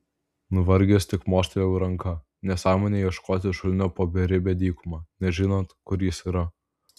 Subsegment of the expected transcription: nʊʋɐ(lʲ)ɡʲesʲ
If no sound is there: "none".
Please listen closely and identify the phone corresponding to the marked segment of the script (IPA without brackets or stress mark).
ɾʲ